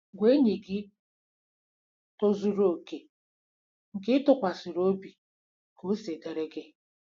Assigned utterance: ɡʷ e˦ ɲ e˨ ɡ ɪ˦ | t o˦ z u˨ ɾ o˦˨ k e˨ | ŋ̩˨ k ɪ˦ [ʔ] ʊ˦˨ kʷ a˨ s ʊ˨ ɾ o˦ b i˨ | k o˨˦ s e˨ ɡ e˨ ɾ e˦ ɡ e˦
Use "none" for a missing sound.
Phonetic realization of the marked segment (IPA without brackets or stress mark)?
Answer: t